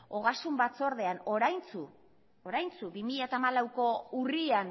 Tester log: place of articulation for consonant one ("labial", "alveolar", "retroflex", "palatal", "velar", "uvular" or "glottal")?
velar